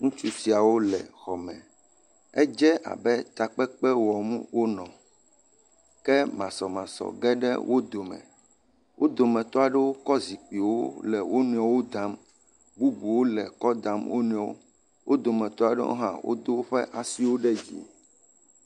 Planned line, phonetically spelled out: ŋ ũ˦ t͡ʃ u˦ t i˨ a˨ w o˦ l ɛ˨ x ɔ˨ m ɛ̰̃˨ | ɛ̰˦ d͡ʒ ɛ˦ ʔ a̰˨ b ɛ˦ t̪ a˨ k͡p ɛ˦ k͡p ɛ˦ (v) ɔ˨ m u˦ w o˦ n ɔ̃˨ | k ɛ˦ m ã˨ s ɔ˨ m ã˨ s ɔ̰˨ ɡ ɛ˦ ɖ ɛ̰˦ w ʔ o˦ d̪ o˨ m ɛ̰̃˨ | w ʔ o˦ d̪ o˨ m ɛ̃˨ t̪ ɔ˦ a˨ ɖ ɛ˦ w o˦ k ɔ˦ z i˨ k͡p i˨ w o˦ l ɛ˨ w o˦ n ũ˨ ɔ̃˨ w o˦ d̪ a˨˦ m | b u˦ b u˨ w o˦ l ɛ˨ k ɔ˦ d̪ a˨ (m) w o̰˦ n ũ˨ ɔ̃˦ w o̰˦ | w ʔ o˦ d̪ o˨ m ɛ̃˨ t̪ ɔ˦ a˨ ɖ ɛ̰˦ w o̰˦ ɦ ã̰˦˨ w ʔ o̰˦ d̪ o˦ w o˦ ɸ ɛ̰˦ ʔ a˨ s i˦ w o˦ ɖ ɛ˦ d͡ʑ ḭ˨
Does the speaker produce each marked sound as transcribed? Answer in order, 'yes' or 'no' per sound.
no, yes

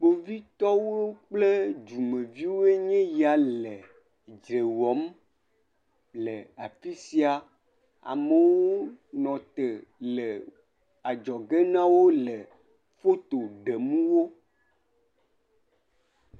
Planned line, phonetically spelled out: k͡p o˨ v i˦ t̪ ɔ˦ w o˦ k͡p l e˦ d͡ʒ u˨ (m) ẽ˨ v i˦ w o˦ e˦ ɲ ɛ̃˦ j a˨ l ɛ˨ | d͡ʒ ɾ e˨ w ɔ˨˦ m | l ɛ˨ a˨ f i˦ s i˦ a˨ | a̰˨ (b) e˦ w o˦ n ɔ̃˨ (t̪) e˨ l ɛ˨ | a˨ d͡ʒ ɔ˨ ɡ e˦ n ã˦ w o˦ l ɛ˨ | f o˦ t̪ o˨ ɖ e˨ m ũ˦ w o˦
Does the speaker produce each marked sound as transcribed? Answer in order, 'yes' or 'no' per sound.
yes, no, yes

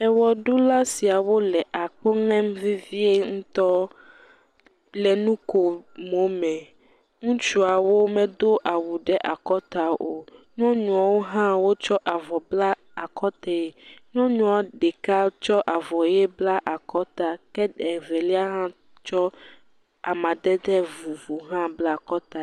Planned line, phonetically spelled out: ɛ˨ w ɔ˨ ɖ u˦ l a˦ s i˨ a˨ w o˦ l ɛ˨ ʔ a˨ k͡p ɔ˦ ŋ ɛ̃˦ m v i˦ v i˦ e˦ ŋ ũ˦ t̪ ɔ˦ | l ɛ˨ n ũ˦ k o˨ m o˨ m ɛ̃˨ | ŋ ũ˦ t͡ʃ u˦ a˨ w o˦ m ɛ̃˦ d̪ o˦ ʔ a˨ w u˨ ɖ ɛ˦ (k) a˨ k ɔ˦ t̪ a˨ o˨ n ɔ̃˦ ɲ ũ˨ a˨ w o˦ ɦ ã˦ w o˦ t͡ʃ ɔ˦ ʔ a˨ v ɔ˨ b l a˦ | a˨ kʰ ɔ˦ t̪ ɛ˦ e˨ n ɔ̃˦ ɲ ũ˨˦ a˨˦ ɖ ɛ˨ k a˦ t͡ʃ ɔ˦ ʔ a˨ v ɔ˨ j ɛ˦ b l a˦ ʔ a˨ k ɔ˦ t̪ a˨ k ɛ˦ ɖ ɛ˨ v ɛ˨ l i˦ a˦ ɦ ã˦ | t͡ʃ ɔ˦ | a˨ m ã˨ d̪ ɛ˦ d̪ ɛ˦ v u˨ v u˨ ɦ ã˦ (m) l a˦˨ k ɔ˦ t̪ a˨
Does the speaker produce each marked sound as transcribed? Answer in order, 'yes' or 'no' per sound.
no, no

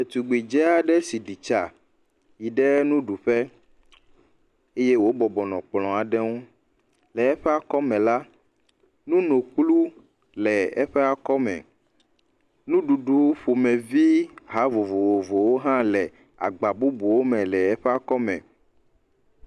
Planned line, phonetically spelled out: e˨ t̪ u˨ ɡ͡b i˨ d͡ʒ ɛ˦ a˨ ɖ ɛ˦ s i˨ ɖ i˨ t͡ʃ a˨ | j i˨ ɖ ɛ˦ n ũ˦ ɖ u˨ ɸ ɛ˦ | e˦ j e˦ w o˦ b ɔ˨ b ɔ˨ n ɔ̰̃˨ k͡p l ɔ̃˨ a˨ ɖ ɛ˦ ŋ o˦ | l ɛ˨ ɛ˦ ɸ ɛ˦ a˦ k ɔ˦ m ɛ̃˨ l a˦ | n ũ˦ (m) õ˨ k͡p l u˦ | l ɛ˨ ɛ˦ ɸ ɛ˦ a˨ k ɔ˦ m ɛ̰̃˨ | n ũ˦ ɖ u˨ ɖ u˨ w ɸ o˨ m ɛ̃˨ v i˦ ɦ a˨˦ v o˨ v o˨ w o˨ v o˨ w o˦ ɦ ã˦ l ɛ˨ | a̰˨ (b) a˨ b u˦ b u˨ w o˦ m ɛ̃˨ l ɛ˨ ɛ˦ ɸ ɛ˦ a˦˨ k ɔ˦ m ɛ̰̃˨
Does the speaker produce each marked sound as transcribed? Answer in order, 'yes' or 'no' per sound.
no, no

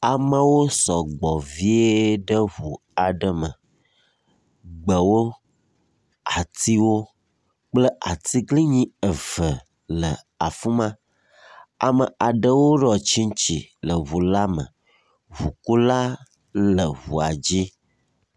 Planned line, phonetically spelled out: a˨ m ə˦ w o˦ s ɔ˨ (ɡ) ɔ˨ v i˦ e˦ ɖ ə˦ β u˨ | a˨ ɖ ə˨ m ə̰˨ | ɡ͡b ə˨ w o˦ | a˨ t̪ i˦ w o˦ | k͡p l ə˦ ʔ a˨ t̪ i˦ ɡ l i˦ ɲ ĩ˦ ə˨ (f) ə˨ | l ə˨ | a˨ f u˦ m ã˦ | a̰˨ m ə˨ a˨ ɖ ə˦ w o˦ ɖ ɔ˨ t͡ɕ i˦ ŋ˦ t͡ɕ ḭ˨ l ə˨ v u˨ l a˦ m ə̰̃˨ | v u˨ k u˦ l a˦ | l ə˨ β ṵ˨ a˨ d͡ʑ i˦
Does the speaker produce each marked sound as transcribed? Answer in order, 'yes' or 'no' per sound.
no, no

